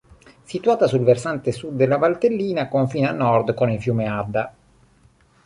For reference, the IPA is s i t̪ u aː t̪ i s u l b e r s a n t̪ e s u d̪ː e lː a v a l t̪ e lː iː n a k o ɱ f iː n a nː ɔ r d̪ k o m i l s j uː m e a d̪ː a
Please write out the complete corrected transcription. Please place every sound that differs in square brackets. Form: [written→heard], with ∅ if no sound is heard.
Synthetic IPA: s i t̪ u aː t̪ [i→a] s u l [b→v] e r s a n t̪ e s u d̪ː e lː a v a l t̪ e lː iː n a k o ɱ f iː n a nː ɔ r d̪ k o [m→n] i l [s→f] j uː m e a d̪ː a